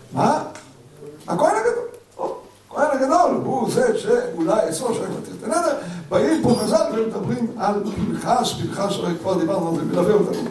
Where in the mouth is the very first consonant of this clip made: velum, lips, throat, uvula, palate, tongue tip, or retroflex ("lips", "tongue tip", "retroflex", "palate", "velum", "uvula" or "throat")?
lips